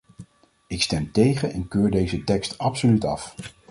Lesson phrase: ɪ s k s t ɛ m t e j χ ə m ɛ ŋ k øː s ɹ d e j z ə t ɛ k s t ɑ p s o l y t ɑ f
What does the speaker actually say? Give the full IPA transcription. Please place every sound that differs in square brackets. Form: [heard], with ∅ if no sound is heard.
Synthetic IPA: ɪ [∅] k s t ɛ m t e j χ ə [n] ɛ [n] k øː [∅] ɹ d e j z ə t ɛ k s t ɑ p s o l y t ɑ f